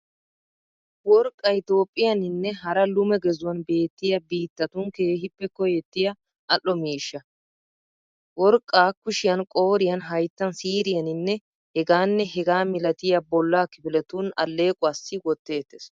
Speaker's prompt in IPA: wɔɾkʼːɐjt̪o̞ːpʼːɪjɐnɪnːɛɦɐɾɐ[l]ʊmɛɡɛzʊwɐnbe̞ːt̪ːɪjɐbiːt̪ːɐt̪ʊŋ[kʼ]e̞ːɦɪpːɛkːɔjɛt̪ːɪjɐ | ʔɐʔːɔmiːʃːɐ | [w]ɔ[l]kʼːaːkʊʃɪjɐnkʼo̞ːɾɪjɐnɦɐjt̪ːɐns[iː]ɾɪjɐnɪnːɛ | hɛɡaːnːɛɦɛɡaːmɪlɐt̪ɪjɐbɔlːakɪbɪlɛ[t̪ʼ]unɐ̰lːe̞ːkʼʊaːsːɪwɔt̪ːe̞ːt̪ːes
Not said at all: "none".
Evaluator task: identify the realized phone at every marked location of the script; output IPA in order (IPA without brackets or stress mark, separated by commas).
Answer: l, k, w, ɾ, iː, t̪